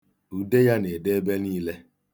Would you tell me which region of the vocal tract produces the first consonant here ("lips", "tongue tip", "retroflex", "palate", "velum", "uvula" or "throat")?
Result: tongue tip